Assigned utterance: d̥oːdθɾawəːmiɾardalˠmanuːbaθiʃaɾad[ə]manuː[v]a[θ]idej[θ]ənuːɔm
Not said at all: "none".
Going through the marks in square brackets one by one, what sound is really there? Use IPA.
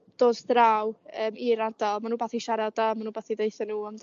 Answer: a, b, θ, θ

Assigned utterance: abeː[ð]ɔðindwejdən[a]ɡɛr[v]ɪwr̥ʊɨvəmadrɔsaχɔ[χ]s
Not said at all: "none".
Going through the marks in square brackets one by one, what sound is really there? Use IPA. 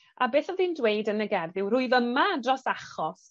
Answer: θ, ə, ð, none

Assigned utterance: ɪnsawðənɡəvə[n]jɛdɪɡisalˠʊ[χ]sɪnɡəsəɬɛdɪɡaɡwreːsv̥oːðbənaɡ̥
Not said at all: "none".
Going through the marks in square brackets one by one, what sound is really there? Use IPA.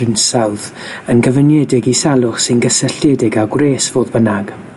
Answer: n, χ

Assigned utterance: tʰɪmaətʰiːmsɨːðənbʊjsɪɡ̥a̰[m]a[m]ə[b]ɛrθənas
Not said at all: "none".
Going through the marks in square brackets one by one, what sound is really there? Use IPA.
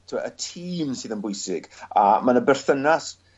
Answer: m, n, b

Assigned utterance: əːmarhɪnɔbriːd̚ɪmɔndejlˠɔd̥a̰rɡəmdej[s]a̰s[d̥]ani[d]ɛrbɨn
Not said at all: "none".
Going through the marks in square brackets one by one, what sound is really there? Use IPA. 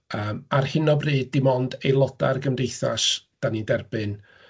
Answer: θ, d̥, d

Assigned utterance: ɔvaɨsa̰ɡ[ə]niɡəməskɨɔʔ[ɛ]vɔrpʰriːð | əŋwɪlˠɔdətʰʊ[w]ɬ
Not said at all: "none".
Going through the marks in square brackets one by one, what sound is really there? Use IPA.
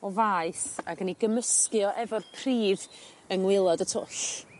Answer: ə, ɛ, none

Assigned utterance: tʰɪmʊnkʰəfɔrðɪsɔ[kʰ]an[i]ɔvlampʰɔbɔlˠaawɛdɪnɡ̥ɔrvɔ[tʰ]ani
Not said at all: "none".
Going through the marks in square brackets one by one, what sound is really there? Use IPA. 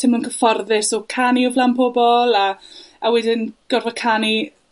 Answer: kʰ, i, kʰ

